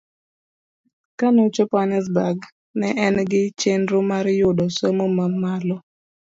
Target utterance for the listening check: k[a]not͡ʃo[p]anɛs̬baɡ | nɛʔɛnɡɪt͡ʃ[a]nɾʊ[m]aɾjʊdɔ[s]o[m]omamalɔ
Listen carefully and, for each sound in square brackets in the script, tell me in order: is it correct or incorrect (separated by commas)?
correct, correct, incorrect, correct, correct, correct